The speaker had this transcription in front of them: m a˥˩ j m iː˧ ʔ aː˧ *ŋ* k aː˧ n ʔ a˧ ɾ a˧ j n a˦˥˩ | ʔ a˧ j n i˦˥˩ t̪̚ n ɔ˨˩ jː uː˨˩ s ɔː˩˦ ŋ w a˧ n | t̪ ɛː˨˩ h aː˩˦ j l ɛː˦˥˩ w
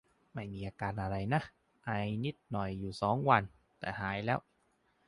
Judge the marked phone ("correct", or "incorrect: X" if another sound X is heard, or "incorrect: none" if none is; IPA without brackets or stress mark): incorrect: none